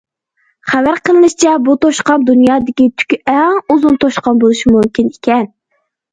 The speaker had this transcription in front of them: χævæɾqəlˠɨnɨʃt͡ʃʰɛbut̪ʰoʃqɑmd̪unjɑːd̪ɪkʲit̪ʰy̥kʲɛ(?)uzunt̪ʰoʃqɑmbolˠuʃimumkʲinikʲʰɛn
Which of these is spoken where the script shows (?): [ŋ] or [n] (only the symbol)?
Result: ŋ